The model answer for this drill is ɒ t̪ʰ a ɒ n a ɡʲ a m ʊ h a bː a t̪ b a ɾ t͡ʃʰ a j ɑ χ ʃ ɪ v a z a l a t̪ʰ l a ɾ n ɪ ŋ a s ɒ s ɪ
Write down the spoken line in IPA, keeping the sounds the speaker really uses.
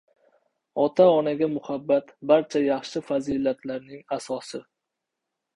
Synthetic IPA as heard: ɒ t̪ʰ a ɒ n a ɡʲ a m ʊ h a bː a t̪ b a ɾ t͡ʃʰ a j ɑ χ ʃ ɪ f a z i l a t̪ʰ l a ɾ n ɪ ŋ a s ɒ s ɪ